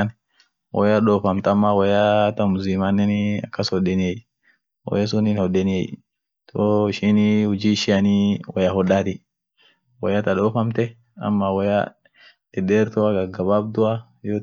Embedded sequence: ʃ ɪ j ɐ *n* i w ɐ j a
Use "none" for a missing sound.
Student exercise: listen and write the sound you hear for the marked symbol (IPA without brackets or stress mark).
n